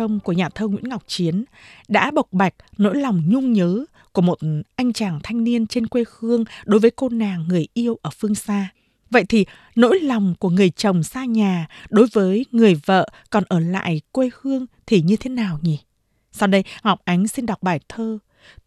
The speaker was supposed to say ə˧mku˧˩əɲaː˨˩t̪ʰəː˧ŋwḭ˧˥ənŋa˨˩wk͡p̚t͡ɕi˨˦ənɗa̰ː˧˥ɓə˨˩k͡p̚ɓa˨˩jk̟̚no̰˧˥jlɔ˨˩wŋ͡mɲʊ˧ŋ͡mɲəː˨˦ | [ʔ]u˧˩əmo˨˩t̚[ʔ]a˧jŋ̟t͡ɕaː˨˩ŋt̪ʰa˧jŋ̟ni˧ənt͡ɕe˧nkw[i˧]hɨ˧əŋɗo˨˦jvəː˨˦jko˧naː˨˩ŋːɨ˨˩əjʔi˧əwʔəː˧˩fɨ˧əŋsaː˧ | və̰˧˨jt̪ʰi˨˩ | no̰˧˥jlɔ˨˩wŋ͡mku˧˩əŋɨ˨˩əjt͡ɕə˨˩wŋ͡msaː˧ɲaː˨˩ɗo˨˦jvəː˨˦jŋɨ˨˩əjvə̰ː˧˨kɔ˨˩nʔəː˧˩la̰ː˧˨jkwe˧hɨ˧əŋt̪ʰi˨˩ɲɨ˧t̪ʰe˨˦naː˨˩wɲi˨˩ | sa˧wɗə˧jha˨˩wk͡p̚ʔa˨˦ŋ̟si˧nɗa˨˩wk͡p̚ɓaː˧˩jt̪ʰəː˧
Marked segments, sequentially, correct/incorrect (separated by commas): incorrect, correct, incorrect